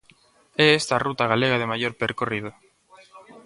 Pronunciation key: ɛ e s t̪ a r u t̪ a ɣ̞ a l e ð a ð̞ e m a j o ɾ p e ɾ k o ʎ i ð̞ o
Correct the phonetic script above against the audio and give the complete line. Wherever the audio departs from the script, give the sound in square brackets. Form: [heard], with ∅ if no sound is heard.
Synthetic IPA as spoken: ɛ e s t̪ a r u t̪ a ɣ̞ a l e [ɣ] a ð̞ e m a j o ɾ p e ɾ k o [r] i ð̞ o